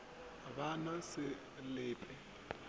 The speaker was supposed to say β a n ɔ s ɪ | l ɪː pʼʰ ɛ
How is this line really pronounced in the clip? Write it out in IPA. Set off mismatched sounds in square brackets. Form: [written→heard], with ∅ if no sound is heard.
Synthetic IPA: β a n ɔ s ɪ | l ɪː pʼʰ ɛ